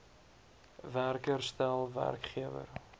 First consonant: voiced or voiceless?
voiced